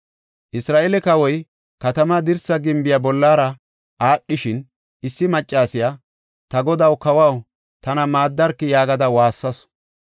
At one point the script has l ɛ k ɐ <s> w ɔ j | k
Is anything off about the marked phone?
yes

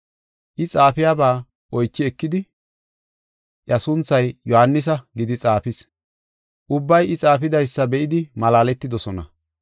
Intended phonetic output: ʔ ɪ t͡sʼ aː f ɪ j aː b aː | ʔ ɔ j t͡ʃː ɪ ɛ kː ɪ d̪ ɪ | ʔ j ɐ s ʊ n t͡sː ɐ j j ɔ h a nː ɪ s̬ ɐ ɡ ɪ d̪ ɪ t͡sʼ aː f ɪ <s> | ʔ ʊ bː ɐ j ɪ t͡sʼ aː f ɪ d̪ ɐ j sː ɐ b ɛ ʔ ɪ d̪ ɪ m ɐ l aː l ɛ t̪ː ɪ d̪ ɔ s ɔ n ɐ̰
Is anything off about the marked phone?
no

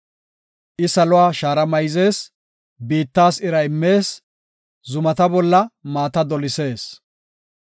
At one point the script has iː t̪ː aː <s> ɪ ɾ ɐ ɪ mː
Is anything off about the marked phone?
no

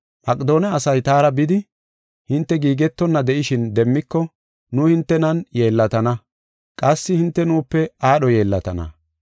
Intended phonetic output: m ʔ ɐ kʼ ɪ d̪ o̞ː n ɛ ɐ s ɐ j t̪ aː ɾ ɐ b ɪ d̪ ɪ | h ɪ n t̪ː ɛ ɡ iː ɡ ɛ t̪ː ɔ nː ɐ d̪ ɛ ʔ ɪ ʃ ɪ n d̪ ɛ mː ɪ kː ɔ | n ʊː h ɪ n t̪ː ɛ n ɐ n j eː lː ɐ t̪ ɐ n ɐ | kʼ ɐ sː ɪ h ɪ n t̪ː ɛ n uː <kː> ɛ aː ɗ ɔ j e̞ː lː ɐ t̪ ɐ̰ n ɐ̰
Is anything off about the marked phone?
yes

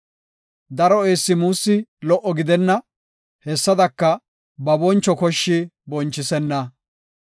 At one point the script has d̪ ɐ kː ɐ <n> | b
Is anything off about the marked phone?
yes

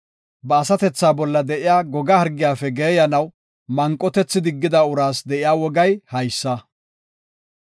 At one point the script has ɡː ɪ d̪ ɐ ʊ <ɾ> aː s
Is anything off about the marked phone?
no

